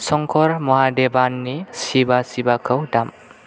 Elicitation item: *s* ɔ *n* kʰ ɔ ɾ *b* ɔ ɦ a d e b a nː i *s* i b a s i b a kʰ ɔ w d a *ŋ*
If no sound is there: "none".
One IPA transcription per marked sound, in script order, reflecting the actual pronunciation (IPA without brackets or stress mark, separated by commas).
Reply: s, ŋ, m, s, m